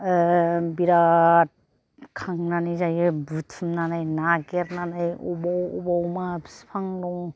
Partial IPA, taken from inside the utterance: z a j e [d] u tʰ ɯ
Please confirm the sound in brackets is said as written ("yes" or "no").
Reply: no